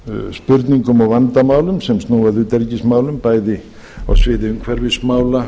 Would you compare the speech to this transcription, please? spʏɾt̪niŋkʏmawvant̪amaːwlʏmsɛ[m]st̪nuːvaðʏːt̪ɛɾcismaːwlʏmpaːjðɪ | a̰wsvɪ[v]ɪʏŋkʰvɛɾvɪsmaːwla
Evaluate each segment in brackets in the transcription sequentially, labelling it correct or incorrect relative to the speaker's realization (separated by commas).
correct, incorrect